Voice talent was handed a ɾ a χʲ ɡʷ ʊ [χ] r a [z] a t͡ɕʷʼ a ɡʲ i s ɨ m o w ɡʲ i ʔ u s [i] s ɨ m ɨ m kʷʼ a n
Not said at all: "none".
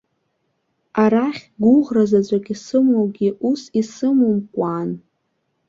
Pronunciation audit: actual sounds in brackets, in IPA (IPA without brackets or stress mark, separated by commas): ʁ, z, i